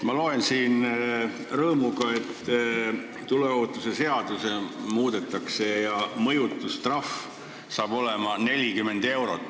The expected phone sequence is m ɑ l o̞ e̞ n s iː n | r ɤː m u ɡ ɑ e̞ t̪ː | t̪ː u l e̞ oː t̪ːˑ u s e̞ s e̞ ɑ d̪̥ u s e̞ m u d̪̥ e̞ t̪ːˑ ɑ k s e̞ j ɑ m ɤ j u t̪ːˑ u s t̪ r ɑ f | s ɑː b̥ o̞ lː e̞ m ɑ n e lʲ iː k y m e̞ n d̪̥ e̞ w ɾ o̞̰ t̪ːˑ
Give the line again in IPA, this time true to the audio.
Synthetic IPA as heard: m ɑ l o̞ e̞ n s iː n | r ɤː m u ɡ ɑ e̞ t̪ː | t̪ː u l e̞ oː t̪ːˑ u s e̞ s e̞ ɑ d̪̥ u s e̞ m uː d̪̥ e̞ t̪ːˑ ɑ k s e̞ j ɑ m ɤ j u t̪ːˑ u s t̪ r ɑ f | s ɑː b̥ o̞ l e̞ m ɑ n e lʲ i k y m e̞ n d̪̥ e̞ w ɾ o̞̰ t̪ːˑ